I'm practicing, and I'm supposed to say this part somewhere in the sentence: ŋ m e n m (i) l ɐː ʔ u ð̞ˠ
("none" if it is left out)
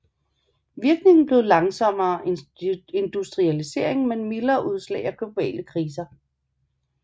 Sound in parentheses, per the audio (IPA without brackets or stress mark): i